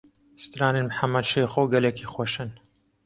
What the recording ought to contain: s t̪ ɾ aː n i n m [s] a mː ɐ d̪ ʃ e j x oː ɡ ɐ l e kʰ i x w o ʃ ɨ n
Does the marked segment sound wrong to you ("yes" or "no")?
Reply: yes